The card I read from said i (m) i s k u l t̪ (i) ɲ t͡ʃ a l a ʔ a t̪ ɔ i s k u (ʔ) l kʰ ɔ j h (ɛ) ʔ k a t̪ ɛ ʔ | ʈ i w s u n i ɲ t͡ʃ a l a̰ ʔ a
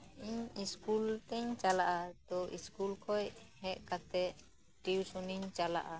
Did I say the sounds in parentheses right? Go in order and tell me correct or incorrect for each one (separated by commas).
incorrect, incorrect, incorrect, correct